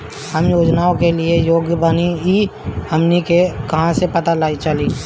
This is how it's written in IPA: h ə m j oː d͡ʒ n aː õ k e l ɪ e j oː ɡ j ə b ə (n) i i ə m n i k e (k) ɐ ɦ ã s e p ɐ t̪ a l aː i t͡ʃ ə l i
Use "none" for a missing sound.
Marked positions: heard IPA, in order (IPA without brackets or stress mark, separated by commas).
n, k